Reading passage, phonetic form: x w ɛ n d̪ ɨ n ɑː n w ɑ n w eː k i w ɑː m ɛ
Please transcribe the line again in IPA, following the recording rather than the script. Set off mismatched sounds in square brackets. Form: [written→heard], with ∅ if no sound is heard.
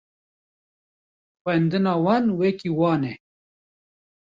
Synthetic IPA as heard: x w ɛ n d̪ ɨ n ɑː [n→∅] w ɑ n w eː k i w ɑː [m→n] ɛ